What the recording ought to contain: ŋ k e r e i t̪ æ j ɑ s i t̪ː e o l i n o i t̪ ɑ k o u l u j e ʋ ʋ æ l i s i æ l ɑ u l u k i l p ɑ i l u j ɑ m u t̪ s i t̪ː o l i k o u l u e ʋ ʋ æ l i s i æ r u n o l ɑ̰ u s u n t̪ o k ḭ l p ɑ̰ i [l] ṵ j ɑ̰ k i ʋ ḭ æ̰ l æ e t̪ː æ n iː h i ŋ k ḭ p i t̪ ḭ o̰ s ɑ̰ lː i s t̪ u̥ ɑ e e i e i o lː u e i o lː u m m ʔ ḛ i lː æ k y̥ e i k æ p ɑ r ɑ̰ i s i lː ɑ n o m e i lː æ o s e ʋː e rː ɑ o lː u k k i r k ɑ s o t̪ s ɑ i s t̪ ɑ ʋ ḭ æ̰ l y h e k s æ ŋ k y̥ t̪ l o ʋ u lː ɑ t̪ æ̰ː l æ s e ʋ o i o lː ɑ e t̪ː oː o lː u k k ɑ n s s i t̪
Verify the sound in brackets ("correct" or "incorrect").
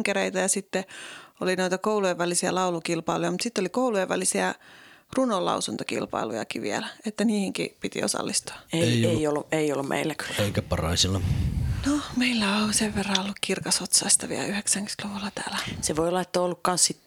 correct